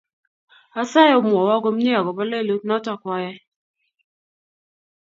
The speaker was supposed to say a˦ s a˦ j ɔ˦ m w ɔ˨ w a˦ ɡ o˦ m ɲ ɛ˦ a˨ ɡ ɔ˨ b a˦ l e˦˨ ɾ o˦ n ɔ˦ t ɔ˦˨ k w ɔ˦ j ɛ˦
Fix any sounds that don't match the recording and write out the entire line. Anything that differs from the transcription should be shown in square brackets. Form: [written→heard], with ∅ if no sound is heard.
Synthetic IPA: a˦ s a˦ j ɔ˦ m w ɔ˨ w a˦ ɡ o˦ m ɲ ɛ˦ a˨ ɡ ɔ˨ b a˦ l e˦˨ [ɾ→l] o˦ n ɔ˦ t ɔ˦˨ k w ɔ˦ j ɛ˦